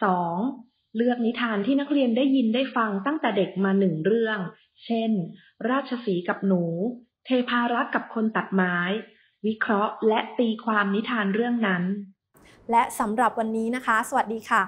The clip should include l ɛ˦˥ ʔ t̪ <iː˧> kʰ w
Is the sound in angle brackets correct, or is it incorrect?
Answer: correct